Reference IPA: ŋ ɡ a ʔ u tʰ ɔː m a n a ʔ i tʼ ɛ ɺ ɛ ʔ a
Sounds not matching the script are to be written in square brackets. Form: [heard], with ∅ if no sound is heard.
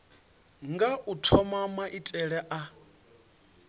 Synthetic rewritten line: ŋ ɡ a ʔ u tʰ [ɔ] m a [m] a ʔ i tʼ ɛ ɺ ɛ ʔ a